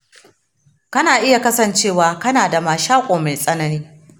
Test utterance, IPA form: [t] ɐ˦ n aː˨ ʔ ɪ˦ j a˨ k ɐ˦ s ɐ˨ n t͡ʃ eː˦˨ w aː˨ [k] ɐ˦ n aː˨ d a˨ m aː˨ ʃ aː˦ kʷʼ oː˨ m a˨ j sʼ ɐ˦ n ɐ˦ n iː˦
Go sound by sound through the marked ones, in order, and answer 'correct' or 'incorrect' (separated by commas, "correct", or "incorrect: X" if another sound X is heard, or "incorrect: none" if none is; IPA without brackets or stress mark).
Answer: incorrect: k, correct